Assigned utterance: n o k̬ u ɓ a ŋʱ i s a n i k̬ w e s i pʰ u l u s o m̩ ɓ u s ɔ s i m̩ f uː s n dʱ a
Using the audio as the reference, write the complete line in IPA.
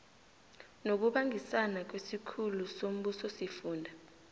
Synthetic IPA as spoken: n o k̬ u ɓ a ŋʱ i s a n a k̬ w e s i kʰ u l u s o m̩ ɓ u s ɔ s i f uː n dʱ a